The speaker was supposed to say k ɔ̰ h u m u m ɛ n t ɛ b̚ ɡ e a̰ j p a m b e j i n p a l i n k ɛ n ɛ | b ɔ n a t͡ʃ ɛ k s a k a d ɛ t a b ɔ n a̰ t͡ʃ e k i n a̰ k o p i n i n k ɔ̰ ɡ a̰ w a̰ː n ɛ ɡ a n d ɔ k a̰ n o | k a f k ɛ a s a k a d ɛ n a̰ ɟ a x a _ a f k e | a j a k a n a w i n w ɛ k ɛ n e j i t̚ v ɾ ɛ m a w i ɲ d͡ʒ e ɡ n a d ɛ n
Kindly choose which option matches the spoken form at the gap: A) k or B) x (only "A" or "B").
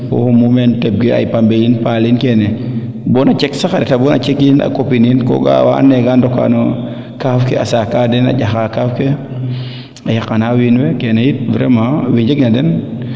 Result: A